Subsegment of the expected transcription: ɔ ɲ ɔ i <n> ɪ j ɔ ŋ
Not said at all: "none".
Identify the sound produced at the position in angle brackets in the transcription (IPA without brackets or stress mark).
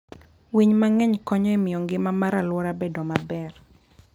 m